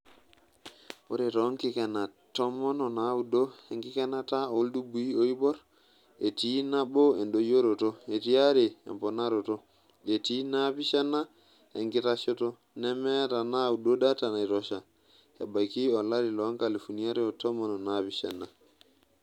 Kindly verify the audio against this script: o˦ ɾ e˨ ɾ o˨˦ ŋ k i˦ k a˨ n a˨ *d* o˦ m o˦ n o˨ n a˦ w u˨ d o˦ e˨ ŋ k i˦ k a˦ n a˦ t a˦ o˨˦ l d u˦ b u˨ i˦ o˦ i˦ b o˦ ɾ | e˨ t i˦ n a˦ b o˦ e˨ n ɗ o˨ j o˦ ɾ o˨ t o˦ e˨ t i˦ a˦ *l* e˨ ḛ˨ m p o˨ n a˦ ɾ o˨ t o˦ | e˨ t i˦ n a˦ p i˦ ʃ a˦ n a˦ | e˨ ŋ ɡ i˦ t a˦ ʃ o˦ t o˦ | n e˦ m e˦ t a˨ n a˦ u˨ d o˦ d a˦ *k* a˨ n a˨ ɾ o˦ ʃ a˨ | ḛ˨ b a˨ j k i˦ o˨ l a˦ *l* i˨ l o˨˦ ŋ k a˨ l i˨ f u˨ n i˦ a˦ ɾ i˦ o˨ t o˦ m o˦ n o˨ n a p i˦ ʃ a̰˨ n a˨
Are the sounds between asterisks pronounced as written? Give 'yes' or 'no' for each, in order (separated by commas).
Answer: no, no, no, no